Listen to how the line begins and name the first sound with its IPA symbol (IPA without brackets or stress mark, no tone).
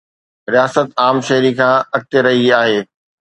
ɾ